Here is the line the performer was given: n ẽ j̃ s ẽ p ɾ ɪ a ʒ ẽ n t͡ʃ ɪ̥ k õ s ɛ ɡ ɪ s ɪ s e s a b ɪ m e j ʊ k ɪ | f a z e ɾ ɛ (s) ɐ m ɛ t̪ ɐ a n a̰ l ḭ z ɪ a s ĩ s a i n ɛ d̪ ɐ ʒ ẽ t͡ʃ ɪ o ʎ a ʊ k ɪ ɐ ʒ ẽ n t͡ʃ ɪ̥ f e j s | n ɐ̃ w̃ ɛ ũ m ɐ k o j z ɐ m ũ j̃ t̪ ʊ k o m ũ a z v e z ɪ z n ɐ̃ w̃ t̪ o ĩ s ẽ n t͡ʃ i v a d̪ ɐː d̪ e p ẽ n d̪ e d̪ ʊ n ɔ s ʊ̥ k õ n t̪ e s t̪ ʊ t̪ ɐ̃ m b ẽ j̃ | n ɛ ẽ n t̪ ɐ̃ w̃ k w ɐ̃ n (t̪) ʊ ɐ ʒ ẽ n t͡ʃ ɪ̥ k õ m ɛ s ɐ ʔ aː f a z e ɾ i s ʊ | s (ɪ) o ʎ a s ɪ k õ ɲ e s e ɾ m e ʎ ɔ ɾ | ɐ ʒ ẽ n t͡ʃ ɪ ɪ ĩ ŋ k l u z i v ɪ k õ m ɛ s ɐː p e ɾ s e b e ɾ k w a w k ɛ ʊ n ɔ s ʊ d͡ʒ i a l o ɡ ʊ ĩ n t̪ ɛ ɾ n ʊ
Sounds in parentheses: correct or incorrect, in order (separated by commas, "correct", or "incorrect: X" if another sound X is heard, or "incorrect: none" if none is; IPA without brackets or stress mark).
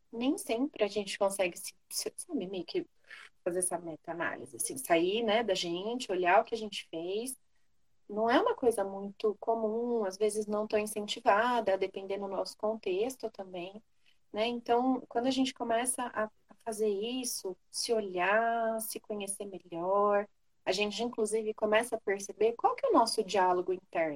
correct, incorrect: d̪, correct